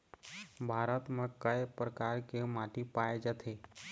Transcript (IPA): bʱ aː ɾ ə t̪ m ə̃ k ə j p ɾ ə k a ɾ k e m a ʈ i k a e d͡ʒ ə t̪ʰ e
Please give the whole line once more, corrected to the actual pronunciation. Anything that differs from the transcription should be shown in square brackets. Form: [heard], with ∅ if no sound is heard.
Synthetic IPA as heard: bʱ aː ɾ ə t̪ m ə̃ k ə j p ɾ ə k a ɾ k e m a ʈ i [p] a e d͡ʒ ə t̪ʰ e